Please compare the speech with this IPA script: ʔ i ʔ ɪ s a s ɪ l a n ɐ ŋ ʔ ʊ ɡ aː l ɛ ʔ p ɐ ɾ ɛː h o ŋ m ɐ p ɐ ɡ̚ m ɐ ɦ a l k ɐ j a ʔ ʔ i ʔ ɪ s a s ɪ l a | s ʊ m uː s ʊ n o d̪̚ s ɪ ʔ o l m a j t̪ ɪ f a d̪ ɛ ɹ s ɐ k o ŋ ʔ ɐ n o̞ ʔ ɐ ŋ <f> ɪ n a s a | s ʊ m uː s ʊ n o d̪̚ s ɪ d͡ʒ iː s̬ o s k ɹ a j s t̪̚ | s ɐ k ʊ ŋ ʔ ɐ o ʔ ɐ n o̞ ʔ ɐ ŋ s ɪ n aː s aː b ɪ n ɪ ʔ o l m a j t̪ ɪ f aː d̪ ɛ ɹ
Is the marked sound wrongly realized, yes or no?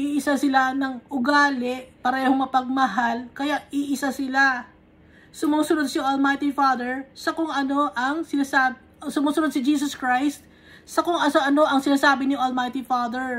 yes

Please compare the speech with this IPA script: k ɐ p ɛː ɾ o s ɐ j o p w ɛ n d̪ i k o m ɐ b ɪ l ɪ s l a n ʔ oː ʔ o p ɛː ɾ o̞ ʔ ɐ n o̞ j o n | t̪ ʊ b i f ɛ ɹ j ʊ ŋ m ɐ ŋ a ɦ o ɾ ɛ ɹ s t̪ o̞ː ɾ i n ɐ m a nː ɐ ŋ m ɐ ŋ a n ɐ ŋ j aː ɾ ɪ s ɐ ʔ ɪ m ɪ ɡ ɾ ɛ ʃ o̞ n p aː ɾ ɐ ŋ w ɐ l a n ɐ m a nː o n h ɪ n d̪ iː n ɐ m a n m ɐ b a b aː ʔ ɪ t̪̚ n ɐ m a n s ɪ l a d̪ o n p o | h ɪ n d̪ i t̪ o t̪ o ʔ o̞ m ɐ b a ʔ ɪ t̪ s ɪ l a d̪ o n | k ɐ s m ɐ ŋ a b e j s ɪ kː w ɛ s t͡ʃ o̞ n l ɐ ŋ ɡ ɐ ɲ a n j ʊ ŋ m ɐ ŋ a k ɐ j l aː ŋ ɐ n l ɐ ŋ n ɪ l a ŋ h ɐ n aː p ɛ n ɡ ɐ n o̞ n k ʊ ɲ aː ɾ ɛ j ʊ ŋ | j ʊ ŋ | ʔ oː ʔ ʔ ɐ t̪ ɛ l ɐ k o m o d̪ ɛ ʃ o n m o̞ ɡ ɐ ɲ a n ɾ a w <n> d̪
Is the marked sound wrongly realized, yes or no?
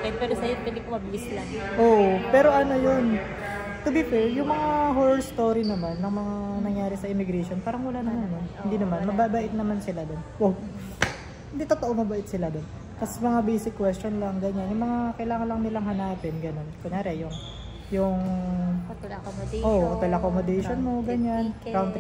no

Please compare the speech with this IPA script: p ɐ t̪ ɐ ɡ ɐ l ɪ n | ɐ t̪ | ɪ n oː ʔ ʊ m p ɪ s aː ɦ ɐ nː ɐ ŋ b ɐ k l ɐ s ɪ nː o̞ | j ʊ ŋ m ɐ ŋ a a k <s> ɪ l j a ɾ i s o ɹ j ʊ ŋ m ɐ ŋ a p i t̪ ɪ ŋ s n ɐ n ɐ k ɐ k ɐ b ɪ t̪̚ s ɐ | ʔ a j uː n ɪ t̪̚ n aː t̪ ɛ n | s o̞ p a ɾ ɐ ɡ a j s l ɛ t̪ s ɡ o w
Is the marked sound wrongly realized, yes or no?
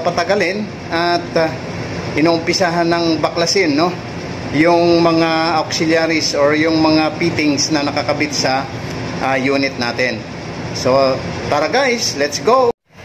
no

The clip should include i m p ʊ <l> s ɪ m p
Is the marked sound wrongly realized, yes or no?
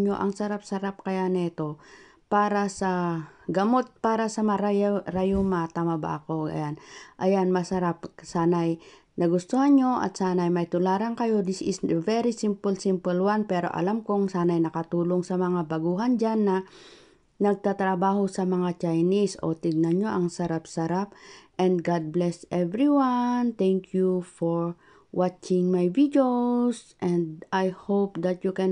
no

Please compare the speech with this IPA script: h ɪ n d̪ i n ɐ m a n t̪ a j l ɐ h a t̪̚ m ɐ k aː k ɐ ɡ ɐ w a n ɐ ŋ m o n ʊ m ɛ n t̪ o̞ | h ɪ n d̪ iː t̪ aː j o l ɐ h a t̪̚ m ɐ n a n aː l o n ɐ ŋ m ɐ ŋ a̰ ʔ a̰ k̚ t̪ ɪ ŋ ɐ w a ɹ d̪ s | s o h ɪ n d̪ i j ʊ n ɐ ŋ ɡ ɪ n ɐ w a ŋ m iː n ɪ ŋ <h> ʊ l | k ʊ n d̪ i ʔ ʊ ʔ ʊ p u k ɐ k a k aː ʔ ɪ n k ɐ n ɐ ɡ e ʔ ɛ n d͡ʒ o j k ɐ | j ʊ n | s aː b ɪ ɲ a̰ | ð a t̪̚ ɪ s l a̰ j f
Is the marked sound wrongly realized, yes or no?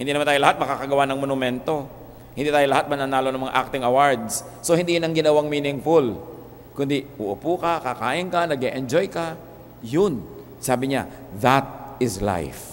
yes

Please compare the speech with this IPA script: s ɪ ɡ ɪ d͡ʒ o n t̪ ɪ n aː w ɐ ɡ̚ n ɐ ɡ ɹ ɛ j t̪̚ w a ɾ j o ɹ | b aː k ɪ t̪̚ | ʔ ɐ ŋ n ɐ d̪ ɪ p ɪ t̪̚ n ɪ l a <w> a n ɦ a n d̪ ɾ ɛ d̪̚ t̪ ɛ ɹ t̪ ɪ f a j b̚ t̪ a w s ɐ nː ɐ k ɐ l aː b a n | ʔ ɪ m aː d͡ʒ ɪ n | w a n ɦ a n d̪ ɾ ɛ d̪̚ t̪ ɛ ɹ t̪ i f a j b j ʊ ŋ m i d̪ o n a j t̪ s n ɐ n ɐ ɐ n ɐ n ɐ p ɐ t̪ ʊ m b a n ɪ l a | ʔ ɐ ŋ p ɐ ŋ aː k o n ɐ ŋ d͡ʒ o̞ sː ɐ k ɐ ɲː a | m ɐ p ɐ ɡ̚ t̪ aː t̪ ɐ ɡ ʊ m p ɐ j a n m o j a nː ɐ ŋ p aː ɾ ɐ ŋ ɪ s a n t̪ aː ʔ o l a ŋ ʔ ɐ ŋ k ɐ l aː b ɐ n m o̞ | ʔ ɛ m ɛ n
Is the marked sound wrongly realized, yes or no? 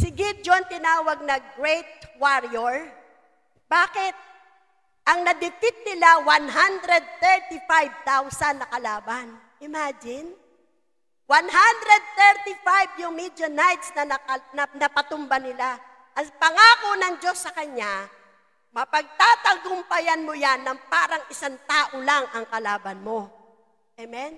no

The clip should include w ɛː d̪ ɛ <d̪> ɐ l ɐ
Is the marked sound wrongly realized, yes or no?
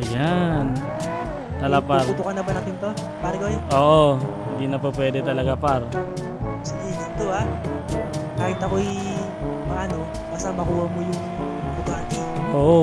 yes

